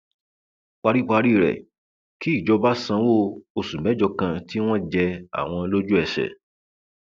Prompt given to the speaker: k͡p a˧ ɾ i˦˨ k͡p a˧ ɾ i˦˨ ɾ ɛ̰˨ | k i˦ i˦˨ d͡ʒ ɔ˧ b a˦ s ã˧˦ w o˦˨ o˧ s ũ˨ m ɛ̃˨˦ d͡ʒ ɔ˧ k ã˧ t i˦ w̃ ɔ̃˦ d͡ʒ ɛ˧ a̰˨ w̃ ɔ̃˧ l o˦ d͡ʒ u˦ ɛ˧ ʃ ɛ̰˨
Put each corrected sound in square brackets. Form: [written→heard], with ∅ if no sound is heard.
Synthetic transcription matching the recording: k͡p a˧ ɾ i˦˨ k͡p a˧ ɾ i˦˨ ɾ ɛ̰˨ | k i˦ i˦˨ d͡ʒ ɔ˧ b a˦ s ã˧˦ w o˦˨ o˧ s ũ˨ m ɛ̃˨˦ d͡ʒ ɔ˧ k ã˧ t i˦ w̃ ɔ̃˦ d͡ʒ ɛ˧ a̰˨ w̃ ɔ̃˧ l o˦ d͡ʒ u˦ ɛ˧ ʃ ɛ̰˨

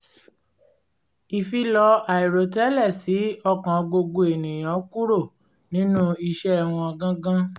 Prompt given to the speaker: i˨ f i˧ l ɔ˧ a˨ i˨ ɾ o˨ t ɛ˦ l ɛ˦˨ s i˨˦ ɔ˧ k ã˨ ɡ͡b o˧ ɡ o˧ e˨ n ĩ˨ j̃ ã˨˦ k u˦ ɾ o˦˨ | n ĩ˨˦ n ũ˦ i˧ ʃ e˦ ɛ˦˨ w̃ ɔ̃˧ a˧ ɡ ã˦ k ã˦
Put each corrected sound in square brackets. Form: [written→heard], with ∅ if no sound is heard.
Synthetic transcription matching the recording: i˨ f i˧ l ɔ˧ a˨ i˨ ɾ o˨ t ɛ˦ l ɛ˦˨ s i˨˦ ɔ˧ k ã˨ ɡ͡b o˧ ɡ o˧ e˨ n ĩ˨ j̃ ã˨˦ k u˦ ɾ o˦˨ | n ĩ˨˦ n ũ˦ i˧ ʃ [e˦→ɛ˦] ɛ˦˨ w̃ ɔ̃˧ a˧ ɡ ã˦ [k→ɡ] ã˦

